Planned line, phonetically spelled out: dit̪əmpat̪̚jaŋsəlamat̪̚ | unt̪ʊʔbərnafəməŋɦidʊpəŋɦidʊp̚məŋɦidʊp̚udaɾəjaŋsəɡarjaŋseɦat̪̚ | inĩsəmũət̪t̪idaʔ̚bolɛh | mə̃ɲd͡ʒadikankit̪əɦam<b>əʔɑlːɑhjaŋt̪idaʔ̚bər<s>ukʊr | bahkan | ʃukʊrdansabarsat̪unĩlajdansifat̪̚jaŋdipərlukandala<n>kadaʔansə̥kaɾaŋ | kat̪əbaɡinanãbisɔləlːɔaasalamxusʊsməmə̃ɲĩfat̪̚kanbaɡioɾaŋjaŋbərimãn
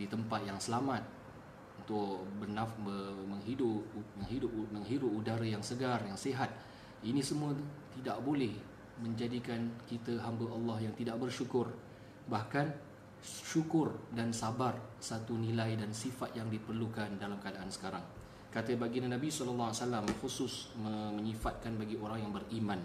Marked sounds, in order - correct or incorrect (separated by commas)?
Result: correct, incorrect, incorrect